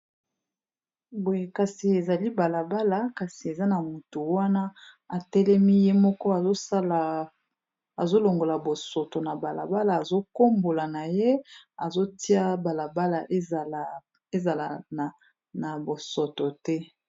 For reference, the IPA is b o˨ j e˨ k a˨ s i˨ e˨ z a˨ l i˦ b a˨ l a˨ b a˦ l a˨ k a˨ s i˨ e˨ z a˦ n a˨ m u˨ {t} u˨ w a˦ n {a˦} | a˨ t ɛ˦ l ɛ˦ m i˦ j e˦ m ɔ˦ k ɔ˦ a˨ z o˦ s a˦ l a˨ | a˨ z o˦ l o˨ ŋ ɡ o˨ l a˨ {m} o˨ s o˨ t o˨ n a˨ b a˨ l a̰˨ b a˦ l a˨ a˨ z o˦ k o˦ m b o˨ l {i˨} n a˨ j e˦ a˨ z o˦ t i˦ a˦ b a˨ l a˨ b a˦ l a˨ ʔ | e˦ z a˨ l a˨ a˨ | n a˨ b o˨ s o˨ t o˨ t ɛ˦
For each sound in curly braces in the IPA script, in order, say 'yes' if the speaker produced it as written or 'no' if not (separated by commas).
yes, yes, no, no